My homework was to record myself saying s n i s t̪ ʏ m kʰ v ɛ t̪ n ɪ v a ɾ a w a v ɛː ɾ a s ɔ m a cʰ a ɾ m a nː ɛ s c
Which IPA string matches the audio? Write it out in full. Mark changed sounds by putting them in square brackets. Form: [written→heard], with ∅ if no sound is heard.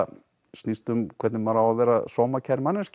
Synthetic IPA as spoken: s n i s t̪ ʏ m kʰ v ɛ t̪ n ɪ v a ɾ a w a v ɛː ɾ a s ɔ m a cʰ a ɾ m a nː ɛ s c